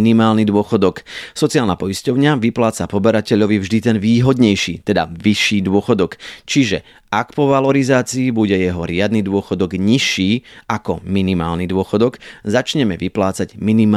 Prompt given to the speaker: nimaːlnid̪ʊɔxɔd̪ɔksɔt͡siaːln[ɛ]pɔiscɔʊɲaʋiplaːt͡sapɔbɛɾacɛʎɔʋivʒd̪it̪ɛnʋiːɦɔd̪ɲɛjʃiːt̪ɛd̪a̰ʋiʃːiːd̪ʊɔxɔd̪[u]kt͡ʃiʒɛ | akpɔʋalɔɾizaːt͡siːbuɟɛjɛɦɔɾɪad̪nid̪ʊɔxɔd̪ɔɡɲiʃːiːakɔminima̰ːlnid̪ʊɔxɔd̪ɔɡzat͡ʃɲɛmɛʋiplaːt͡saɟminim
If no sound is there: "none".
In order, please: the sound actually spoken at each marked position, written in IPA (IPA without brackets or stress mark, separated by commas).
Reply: a, ɔ